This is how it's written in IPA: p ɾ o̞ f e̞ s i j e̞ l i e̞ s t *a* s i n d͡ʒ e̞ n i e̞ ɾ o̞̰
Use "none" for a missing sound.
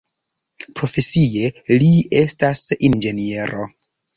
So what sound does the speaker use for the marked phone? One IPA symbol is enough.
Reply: a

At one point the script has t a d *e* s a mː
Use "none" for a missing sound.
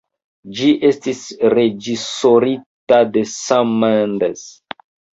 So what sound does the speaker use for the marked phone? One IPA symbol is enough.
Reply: e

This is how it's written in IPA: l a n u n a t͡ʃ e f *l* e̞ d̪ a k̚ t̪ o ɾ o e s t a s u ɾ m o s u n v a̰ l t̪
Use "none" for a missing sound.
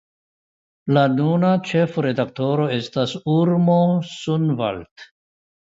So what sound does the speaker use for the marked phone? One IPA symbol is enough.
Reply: ɾ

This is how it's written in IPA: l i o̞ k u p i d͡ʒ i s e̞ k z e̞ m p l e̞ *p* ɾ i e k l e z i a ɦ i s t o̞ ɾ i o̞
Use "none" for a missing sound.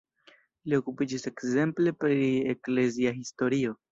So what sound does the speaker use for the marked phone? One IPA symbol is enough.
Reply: p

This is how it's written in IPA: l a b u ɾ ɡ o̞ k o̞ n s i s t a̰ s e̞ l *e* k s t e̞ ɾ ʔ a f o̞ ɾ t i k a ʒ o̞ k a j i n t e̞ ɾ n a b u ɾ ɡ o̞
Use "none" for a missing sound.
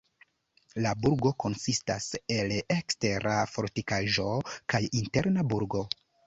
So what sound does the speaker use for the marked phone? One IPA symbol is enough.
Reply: e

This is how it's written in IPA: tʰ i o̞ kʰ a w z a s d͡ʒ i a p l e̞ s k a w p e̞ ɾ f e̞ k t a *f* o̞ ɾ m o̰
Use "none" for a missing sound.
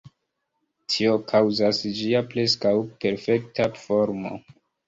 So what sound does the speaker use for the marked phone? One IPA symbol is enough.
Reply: f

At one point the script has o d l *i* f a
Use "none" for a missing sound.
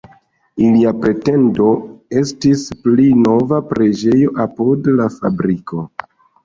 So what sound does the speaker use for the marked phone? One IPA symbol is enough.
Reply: a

